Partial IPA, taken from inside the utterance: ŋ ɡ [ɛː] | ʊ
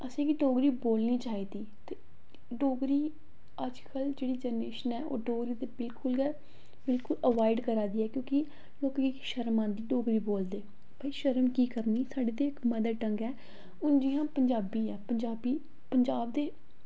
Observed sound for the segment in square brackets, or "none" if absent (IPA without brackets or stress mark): ɛː